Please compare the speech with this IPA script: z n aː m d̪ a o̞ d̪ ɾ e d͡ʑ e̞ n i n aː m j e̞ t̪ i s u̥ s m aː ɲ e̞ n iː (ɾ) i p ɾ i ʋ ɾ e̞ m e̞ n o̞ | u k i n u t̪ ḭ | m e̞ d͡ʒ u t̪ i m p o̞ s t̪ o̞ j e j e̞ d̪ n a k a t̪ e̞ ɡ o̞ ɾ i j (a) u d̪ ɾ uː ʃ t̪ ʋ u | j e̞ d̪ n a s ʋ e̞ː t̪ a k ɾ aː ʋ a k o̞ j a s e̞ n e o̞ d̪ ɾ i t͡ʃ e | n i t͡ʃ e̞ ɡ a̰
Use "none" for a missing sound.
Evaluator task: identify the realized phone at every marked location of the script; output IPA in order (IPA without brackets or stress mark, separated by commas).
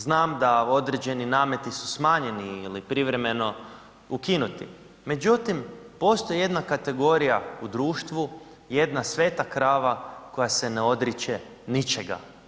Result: l, a